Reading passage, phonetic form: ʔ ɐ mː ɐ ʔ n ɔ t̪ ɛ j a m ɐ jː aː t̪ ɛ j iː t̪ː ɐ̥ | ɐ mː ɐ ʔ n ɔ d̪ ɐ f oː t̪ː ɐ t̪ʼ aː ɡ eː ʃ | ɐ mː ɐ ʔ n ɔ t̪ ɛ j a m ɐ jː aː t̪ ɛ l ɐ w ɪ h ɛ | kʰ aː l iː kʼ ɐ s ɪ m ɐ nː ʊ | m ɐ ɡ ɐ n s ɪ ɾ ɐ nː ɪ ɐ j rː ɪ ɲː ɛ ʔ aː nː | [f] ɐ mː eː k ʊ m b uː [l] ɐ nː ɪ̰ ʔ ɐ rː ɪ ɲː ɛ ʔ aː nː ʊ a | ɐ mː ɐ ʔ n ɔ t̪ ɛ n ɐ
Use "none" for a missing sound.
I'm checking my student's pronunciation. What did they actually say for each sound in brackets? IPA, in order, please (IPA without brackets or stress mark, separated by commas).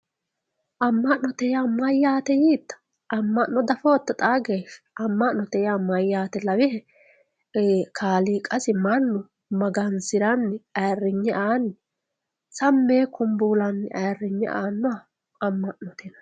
s, l